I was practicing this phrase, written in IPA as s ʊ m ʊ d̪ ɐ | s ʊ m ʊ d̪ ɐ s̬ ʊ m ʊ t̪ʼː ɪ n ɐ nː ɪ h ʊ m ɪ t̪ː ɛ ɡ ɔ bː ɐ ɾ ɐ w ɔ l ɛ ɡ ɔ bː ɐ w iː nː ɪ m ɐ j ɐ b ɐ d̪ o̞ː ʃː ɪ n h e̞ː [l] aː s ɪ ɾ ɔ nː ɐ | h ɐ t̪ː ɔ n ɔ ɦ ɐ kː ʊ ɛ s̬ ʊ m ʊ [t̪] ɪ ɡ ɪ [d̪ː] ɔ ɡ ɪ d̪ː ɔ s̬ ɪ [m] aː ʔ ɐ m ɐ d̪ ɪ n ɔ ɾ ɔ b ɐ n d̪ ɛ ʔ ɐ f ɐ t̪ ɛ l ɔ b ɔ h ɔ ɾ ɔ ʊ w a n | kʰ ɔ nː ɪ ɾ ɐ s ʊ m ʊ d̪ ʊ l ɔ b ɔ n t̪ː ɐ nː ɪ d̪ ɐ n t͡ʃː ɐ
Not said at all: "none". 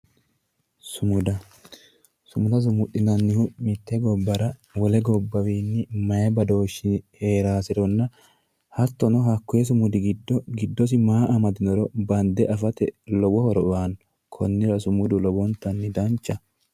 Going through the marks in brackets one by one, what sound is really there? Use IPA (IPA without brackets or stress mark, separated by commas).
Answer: ɾ, d̪, d̪ː, m